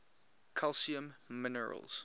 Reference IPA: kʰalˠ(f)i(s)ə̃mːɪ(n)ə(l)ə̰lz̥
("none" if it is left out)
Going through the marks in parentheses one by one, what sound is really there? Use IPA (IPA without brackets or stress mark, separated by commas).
s, none, n, ɹ